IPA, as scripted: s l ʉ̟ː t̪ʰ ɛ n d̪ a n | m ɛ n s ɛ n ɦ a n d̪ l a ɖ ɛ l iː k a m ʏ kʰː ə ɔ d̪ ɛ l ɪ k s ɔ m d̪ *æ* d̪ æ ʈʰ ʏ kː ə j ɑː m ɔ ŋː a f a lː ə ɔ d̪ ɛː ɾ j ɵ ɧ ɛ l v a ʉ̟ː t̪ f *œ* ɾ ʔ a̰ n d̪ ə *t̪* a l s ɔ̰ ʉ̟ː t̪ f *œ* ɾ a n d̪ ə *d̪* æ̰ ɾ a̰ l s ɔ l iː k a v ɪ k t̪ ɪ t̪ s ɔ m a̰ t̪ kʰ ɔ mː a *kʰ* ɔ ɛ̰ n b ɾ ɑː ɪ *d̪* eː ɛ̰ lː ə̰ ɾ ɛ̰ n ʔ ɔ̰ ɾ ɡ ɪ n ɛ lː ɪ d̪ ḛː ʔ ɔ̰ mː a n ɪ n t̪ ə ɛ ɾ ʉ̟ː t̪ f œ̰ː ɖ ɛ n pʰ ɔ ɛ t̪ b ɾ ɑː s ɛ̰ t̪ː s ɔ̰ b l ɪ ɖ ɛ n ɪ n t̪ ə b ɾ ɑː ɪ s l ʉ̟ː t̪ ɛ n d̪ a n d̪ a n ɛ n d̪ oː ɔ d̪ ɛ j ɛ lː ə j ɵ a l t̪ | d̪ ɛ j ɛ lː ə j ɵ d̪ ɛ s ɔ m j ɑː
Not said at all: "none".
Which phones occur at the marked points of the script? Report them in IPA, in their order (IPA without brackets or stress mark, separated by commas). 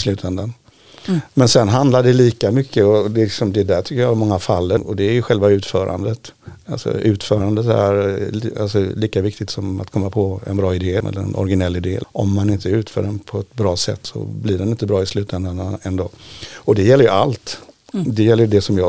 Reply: ɛ, œː, t̪, œː, t̪, pʰ, d̪